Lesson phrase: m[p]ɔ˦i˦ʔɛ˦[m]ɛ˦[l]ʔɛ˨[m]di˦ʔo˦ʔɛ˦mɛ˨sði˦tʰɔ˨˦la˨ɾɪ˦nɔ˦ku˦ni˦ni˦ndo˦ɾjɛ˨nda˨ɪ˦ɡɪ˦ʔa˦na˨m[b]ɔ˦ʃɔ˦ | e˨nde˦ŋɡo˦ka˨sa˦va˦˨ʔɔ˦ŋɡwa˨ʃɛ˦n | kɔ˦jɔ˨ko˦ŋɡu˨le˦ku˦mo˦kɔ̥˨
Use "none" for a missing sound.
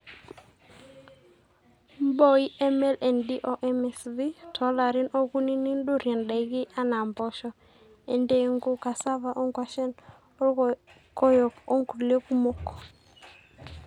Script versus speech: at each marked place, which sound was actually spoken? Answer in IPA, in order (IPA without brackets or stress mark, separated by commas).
b, m, l, n, b